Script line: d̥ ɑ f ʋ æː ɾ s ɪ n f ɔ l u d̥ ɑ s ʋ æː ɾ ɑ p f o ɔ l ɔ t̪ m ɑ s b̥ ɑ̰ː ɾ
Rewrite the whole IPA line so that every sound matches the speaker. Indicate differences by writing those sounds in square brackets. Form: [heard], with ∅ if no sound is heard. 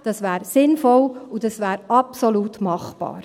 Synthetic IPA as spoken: d̥ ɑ [s] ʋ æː ɾ s ɪ n f ɔ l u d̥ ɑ s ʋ æː ɾ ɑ p [s] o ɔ l [u] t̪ m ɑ [χ] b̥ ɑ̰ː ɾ